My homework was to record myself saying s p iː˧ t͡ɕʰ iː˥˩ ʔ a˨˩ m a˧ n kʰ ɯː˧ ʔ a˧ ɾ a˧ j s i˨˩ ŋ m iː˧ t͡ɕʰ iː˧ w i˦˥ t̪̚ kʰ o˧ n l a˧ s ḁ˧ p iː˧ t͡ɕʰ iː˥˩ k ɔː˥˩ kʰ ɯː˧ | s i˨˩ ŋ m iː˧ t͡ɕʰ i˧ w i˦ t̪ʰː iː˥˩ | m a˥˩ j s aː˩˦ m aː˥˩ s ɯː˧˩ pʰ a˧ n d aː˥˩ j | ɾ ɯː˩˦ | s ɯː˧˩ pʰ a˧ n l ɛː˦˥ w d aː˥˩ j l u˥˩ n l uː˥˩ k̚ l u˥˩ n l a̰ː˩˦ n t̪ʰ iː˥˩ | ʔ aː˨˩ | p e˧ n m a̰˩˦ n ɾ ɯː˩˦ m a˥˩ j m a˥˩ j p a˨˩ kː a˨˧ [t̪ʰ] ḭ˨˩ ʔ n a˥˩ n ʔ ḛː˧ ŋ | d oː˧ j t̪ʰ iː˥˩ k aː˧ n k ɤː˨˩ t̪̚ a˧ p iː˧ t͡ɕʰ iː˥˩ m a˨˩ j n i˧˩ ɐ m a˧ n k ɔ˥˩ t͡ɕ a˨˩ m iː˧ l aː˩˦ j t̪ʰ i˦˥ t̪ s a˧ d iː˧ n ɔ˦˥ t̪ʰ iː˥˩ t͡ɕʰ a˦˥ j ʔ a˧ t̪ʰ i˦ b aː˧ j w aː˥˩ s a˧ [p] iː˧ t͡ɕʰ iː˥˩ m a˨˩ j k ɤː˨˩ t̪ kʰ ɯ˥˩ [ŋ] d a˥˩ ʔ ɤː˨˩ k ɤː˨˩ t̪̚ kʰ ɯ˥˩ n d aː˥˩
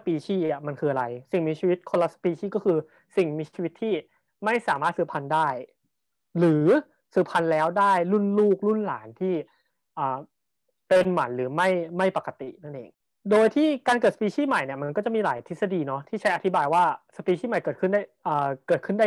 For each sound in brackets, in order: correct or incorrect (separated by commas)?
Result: incorrect, correct, incorrect